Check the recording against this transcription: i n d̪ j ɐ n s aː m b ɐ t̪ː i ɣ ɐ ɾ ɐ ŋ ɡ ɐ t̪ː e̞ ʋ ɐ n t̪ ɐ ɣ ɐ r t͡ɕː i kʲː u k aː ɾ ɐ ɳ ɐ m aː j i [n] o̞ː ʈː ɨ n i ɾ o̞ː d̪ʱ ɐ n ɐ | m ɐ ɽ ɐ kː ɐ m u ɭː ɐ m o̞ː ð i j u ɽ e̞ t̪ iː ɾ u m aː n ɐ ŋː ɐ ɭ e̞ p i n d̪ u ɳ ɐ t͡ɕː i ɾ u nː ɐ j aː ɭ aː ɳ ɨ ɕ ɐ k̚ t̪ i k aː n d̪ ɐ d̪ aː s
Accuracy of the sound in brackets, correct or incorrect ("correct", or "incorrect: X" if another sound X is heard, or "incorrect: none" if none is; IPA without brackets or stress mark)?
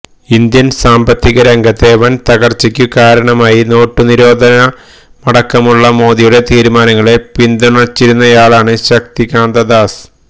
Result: correct